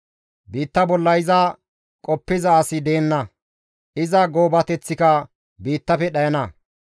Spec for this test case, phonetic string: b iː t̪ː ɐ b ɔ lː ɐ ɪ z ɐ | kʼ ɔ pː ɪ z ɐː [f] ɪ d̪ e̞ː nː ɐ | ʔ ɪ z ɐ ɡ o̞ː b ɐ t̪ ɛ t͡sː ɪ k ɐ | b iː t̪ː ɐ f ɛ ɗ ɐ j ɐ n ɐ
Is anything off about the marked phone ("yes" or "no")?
yes